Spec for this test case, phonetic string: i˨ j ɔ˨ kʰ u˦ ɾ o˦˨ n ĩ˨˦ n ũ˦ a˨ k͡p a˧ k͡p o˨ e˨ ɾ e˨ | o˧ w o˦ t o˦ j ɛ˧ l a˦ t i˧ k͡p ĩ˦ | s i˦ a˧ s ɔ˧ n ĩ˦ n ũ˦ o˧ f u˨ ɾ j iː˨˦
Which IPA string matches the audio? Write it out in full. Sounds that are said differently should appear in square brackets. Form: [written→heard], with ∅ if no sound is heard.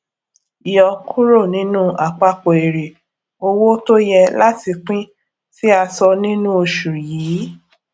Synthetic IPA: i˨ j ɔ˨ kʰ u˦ ɾ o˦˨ n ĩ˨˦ n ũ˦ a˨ k͡p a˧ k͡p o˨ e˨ ɾ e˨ | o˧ w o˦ t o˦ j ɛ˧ l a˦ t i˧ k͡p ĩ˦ | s i˦ a˧ s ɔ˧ n ĩ˦ n ũ˦ o˧ [f→ʃ] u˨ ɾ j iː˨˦